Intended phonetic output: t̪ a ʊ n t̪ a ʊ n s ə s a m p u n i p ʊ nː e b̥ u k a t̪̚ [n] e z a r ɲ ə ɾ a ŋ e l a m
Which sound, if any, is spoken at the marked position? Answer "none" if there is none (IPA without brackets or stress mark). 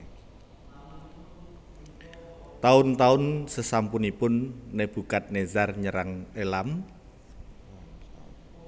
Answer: n